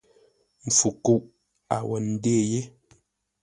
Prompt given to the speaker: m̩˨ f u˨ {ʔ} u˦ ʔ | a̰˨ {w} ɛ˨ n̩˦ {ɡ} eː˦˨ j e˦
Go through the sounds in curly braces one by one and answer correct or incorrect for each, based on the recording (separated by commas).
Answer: incorrect, correct, incorrect